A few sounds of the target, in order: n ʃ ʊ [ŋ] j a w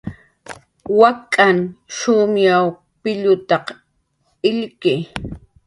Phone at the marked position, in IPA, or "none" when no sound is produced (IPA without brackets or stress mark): m